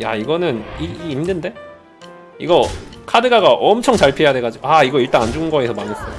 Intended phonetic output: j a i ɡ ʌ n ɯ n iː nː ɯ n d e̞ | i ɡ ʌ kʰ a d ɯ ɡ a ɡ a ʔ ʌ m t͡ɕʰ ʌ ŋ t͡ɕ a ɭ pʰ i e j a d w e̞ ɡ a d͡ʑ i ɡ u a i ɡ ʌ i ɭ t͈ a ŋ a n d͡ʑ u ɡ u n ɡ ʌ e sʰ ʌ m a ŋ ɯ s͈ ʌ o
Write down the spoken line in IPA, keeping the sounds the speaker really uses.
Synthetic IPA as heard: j a i ɡ ʌ n ɯ n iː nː ɯ n d e̞ | i ɡ ʌ kʰ a d ɯ ɡ a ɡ a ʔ ʌ m t͡ɕʰ ʌ ŋ t͡ɕ a ɭ pʰ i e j a d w e̞ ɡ a d͡ʑ i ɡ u a i ɡ ʌ i ɭ t͈ a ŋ a n d͡ʑ u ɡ ɯ n ɡ ʌ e sʰ ʌ m a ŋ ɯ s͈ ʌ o